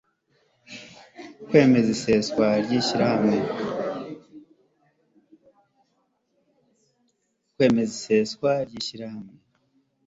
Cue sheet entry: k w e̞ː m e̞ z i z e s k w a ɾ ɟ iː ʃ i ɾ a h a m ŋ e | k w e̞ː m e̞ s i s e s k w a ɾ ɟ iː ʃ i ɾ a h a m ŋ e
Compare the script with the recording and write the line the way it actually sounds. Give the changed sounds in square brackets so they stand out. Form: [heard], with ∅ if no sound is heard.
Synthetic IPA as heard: k w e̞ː m e̞ z i [s] e s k w a ɾ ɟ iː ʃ i ɾ a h a m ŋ e | k w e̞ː m e̞ [z] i s e s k w a ɾ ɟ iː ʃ i ɾ a h a m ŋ e